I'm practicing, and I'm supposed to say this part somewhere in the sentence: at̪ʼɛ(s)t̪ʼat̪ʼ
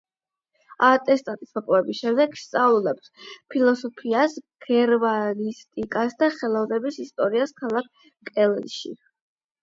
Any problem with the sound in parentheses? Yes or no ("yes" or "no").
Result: no